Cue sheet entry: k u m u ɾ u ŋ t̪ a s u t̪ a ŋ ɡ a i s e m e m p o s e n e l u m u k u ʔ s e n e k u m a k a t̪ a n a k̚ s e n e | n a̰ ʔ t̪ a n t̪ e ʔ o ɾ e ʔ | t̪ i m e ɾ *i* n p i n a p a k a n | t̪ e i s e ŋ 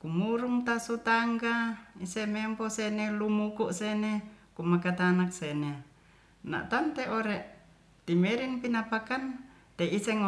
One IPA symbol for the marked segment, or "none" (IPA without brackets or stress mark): i